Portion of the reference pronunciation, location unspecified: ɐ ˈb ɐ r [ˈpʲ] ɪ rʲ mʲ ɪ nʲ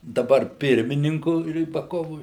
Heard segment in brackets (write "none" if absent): pʲ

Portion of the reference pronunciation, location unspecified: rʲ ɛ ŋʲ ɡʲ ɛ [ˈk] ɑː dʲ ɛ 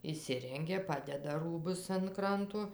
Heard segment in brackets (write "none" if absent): p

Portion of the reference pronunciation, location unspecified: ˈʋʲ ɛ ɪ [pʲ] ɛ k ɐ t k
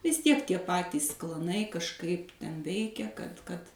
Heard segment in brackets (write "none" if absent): kʲ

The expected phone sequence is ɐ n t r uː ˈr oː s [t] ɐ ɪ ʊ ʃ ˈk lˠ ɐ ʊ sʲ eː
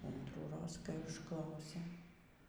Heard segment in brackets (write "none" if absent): k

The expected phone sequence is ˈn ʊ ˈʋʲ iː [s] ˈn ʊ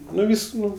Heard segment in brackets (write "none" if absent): s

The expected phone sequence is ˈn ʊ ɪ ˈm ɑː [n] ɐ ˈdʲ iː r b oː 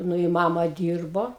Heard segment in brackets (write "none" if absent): m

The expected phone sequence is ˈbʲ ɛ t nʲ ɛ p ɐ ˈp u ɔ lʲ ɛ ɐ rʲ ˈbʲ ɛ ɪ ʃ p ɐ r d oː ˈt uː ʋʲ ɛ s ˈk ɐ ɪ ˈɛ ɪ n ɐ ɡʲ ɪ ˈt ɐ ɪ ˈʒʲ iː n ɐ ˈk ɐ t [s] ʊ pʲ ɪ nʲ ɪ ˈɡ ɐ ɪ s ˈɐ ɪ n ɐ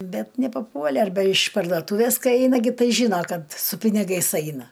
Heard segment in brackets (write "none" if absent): s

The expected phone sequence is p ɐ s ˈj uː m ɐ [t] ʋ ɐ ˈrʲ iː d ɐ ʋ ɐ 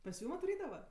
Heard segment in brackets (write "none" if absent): t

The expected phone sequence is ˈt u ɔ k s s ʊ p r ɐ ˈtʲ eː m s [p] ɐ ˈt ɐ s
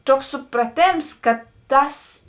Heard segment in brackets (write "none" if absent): k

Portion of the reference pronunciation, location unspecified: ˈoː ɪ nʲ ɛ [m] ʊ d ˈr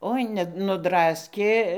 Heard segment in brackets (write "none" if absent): n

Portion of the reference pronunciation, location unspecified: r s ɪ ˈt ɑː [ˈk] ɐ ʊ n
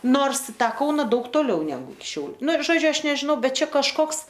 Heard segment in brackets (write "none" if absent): k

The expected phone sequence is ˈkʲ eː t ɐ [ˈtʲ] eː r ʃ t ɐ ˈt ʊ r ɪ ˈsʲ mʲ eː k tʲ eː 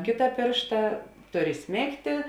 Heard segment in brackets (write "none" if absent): pʲ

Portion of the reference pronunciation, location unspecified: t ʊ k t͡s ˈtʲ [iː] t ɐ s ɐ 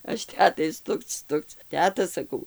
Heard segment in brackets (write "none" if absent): æː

